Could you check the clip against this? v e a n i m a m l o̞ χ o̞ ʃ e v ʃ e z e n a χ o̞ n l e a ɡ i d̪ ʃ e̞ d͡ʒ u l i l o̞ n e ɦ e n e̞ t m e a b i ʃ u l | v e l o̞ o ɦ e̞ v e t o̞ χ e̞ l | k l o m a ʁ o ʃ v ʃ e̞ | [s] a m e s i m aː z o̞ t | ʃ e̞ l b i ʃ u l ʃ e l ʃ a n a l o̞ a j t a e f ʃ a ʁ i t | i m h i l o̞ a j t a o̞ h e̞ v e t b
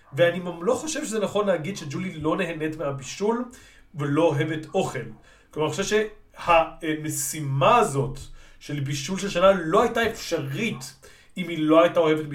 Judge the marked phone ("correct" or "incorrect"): incorrect